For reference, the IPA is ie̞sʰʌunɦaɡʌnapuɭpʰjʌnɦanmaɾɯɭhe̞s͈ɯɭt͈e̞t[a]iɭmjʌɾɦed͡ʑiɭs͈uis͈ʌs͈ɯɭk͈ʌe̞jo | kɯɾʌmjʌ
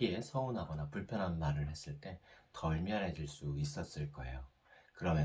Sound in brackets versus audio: incorrect: ʌ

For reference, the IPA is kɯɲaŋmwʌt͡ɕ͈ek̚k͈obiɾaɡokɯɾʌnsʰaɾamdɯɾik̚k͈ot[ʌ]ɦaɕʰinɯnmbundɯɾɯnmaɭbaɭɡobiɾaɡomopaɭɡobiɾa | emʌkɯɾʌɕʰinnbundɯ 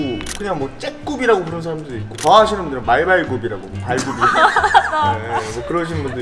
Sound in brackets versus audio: correct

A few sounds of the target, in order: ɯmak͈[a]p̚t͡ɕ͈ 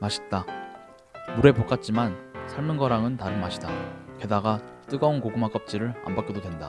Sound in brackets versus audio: incorrect: ʌ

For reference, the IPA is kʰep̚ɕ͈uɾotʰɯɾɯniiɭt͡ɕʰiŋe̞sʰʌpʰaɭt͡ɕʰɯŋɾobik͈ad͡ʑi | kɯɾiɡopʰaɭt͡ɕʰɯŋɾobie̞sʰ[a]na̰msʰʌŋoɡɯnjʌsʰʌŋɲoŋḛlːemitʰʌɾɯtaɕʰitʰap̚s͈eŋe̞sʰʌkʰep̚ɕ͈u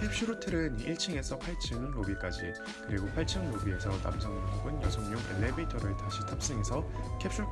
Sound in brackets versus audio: incorrect: ʌ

